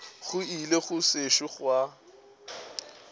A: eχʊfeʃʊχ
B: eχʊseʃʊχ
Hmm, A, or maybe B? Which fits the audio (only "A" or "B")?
B